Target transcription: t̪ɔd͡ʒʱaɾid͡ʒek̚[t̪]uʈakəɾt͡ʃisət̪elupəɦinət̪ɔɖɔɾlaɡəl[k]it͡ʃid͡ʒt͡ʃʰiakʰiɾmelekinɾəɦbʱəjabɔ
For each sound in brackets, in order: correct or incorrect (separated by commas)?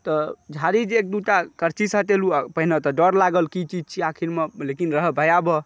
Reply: incorrect, correct